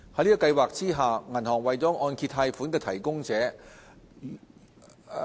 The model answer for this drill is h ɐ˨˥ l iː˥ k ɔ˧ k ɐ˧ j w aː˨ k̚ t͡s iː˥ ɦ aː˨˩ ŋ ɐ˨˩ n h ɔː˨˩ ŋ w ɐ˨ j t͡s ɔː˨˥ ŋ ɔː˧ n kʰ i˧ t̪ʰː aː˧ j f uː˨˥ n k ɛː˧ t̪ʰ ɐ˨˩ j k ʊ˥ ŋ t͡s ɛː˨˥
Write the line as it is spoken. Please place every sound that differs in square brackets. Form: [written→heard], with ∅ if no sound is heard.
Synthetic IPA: h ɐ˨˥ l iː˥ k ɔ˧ k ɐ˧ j w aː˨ k̚ t͡s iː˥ ɦ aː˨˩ ŋ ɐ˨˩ n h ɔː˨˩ ŋ w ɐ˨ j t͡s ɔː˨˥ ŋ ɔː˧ n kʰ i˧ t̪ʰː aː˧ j f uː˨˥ n k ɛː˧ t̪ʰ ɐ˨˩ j k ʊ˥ ŋ t͡s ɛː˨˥

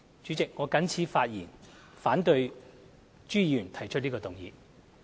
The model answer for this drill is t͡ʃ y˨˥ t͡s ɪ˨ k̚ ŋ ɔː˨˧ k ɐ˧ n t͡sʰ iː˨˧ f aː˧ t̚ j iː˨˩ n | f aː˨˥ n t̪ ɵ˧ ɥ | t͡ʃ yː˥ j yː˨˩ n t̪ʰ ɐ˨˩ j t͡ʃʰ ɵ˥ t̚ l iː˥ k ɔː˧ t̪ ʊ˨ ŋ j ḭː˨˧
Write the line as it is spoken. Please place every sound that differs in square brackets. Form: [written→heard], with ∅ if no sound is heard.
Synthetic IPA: t͡ʃ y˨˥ t͡s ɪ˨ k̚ ŋ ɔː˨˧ k [ɐ˧→ɐ˨˥] n t͡sʰ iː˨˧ f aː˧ t̚ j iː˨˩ n | f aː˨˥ n t̪ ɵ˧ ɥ | t͡ʃ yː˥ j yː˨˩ n t̪ʰ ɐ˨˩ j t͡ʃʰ ɵ˥ t̚ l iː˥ k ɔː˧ t̪ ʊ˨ ŋ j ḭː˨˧

